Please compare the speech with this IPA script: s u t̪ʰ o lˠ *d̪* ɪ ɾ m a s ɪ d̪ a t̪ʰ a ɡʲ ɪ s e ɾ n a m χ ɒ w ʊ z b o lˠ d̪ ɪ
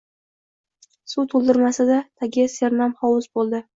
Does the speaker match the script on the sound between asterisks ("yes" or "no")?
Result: yes